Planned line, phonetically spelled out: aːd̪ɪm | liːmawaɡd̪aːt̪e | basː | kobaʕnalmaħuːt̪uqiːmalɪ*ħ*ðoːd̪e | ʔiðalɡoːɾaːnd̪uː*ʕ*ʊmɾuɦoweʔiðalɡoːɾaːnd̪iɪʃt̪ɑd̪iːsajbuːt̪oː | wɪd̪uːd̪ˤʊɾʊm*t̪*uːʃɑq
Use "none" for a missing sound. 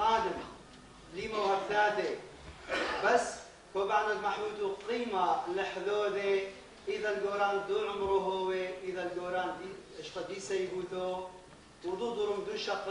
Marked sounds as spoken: ħ, ʕ, d̪

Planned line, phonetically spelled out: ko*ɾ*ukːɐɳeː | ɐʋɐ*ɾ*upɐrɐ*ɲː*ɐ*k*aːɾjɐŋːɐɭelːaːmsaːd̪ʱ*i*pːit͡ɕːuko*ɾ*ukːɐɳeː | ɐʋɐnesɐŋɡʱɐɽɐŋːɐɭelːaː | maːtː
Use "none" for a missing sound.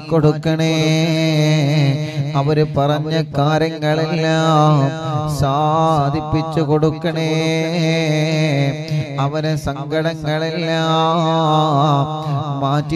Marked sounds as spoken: ɽ, ɾ, ɲː, k, i, ɽ

